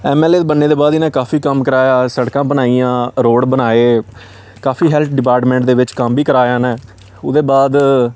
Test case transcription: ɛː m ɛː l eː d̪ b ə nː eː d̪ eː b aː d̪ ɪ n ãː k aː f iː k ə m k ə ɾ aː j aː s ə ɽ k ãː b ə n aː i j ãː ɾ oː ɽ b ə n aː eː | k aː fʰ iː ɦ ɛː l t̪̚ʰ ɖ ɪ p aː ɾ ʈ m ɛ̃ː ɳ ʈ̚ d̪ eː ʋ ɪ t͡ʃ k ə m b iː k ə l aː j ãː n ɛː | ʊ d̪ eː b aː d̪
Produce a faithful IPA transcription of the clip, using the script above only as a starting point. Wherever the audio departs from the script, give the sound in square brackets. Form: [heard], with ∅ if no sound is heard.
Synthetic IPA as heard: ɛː m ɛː l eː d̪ b ə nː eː d̪ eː b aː d̪ ɪ n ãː k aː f iː k ə m k ə ɾ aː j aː s ə ɽ k ãː b ə n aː i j ãː ɾ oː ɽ b ə n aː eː | k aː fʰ iː ɦ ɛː l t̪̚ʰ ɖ ɪ p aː ɾ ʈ m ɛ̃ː ɳ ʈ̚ d̪ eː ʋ ɪ t͡ʃ k ə m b iː k ə [ɾ] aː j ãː n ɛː | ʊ d̪ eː b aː d̪

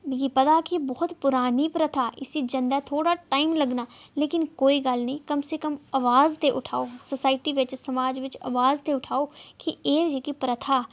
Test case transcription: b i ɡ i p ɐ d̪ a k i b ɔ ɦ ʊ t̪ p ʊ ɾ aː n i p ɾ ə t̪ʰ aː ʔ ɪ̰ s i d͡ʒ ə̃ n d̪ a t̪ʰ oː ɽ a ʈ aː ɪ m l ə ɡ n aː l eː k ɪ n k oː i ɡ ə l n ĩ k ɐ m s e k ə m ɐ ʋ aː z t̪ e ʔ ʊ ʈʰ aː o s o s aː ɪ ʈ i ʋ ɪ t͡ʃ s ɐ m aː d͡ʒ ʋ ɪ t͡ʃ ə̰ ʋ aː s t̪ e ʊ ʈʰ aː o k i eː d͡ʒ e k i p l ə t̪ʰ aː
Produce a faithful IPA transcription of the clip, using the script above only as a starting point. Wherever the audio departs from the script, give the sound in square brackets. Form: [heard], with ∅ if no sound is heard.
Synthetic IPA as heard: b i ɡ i p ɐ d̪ a k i b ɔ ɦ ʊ t̪ p ʊ ɾ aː n i p ɾ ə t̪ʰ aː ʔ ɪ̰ s i d͡ʒ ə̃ n d̪ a t̪ʰ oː ɽ a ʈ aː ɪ m l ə ɡ n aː l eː k ɪ n k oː i ɡ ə l n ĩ k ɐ m s e k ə m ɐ ʋ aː z t̪ e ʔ ʊ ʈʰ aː o s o s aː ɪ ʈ i ʋ ɪ t͡ʃ s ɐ m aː d͡ʒ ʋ ɪ t͡ʃ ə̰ ʋ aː [z] t̪ e ʊ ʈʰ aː o k i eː d͡ʒ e k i p [ɾ] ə t̪ʰ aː

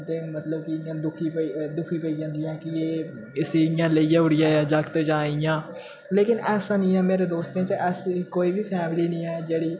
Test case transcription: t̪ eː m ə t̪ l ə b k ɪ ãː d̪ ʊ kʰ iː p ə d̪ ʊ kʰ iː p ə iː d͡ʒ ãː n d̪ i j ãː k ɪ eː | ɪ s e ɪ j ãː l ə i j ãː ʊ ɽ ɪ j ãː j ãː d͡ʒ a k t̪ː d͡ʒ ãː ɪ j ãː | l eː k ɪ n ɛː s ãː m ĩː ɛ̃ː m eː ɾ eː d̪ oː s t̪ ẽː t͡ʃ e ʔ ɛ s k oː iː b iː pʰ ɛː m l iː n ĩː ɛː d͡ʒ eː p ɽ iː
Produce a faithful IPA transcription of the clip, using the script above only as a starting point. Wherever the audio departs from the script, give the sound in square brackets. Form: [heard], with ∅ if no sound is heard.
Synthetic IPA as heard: t̪ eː m ə t̪ l ə b k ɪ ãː d̪ ʊ kʰ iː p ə d̪ ʊ kʰ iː p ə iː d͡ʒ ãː n d̪ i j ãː k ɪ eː | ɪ s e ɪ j ãː l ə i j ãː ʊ ɽ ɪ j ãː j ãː d͡ʒ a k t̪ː d͡ʒ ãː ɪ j ãː | l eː k ɪ n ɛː s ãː [n] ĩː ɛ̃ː m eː ɾ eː d̪ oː s t̪ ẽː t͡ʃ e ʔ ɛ s k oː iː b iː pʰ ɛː m l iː n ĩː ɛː d͡ʒ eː [∅] ɽ iː

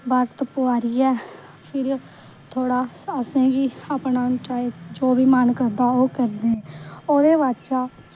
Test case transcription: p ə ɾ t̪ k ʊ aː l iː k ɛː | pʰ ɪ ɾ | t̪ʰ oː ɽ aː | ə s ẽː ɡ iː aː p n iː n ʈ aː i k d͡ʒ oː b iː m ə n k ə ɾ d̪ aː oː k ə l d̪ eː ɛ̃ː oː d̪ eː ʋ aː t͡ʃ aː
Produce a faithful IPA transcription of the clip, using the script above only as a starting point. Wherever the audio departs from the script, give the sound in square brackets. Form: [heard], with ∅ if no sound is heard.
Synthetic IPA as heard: [b] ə ɾ t̪ [p] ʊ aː [ɾ] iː [∅] ɛː | pʰ ɪ ɾ | t̪ʰ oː ɽ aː | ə s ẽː ɡ iː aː p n [aː] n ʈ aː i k d͡ʒ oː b iː m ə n k ə ɾ d̪ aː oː k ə [ɾ] d̪ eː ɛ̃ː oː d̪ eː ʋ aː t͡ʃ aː

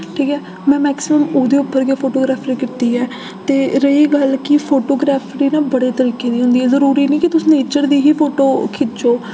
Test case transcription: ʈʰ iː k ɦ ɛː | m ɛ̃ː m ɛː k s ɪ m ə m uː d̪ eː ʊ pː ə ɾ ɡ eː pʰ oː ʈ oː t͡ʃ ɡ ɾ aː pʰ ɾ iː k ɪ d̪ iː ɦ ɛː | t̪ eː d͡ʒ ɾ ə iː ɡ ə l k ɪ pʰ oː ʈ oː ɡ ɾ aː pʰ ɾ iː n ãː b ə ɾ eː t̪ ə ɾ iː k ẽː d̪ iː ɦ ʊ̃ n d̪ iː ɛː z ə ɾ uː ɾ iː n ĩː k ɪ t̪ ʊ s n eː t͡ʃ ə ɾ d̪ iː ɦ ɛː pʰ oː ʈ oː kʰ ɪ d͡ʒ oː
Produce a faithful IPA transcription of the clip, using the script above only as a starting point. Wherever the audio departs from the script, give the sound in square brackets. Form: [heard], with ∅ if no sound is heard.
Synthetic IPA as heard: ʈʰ iː k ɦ ɛː | m ɛ̃ː m ɛː k s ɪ m ə m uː d̪ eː ʊ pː ə ɾ ɡ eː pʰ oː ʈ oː [∅] ɡ ɾ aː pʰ ɾ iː k ɪ [t̪] iː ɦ ɛː | t̪ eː [∅] ɾ ə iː ɡ ə l k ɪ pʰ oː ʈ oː ɡ ɾ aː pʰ ɾ iː n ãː b ə [ɽ] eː t̪ ə ɾ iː k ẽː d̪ iː ɦ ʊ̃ n d̪ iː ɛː z ə ɾ uː ɾ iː n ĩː k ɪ t̪ ʊ s n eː t͡ʃ ə ɾ d̪ iː ɦ [iː] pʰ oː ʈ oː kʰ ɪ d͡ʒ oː

